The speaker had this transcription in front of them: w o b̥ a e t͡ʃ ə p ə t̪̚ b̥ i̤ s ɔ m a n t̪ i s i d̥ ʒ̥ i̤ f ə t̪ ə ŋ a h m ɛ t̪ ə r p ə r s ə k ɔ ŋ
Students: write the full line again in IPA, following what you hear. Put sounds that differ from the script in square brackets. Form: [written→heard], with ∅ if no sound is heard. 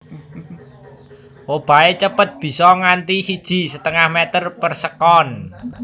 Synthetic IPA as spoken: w o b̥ a e t͡ʃ ə p ə t̪̚ b̥ i̤ s ɔ [m→ŋ] a n t̪ i s i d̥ ʒ̥ i̤ [f→s] ə t̪ ə ŋ a h m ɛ t̪ ə r p ə r s ə k ɔ [ŋ→n]